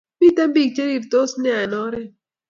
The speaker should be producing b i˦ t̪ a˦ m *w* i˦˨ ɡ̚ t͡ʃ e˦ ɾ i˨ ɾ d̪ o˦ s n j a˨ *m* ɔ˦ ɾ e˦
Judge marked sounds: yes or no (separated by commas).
no, no